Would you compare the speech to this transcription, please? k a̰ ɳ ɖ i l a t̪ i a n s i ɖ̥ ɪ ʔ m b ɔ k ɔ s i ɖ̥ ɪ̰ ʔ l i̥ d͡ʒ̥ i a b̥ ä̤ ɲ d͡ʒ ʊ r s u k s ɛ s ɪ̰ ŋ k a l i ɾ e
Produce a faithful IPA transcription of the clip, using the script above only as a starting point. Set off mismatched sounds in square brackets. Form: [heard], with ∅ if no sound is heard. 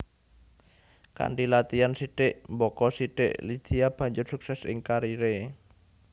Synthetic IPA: k a̰ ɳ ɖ i l a t̪ i a n s i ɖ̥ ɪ ʔ m b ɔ k ɔ s i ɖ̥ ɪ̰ ʔ l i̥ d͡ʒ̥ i a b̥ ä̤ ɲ d͡ʒ ʊ r s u k s ɛ s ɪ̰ ŋ k a [ɾ] i ɾ e